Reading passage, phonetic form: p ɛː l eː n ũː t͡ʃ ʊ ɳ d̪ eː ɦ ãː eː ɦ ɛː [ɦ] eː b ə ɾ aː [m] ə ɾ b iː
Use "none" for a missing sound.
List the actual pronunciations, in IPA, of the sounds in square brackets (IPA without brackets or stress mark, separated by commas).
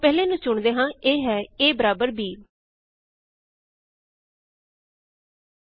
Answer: none, b